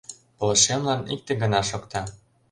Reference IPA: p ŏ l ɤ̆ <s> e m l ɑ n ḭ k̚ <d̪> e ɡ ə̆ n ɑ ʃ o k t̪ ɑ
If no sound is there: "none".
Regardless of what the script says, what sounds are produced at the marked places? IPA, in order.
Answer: ʃ, t̪

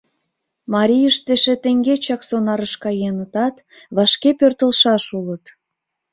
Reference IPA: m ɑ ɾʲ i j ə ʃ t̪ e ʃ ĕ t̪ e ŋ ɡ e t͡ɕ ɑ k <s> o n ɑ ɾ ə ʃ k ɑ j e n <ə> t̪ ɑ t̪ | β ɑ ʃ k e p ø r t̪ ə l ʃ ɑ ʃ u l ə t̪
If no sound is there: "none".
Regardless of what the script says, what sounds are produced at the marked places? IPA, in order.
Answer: s, ə

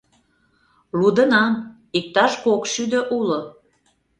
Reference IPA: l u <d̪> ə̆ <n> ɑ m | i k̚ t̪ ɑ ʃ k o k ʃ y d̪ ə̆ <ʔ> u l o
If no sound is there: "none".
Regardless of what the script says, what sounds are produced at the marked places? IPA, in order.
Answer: d̪, n, ʔ

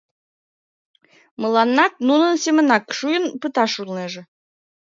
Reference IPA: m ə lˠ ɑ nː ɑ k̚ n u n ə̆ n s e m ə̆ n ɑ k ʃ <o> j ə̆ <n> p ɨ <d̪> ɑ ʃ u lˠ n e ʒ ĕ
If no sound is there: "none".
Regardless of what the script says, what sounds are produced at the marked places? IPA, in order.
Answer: u, n, t̪

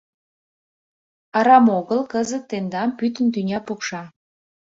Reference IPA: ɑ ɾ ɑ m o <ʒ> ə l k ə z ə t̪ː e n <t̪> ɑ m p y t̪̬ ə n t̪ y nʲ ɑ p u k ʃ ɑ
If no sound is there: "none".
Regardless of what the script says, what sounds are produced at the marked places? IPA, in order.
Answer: ɣ, d̪

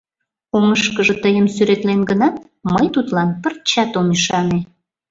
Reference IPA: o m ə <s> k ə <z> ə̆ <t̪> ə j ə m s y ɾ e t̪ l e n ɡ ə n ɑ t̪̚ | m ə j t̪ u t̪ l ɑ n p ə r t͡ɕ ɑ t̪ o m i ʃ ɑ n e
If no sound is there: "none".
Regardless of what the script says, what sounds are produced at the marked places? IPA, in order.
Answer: ʃ, ʒ, t̪

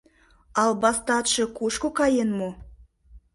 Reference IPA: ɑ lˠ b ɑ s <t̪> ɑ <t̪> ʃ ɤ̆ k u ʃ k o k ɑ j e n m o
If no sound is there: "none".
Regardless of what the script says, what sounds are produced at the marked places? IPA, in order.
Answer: t̪, t̪

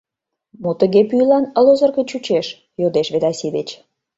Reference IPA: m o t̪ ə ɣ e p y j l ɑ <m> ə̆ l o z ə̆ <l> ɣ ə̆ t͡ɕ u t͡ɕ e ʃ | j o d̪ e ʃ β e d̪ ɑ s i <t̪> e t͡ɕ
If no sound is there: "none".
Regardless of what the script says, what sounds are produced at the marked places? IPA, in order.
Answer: n, r, d̪

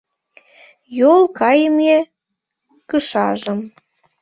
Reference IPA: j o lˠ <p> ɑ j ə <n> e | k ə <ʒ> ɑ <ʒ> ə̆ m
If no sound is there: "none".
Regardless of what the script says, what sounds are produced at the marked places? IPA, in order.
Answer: k, m, ʃ, ʒ

